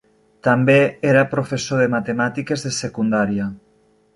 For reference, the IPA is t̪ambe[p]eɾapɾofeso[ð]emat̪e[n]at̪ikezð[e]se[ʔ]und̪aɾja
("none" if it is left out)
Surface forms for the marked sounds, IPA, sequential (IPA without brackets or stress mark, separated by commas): none, ð, m, e, k